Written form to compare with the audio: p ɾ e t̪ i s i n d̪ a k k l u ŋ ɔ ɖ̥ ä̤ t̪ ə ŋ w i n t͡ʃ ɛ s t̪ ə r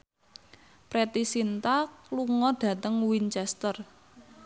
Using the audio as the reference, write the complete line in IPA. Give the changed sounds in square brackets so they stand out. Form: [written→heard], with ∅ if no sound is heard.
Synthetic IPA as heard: p ɾ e t̪ i s i n [d̪→t̪] a k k l u ŋ ɔ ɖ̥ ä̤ t̪ ə ŋ w i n t͡ʃ ɛ s t̪ ə r